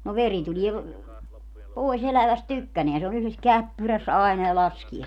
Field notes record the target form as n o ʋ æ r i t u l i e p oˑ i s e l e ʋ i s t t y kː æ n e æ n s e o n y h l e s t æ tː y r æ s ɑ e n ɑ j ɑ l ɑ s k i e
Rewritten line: n o ʋ e r i t u l i e p oˑ i s e l æ ʋ æ s t t y kː æ n e æ n s e o n y h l e s k æ pː y r æ s ɑ e n ɑ j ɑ l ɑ s k i e

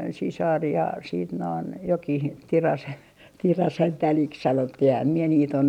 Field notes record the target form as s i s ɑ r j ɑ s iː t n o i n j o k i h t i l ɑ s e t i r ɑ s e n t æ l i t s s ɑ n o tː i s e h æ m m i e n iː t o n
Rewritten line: s i s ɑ r j ɑ s iː t n o i n j o k i h t i r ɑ s e t i r ɑ s e n t æ l i k s s ɑ n o tː i h e h æ m m i e n iː t o n

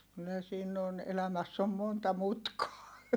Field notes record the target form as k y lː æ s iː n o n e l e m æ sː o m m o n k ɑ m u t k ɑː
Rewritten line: k y lː æ s iː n o n e l æ m æ sː o m m o n t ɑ m u t k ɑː

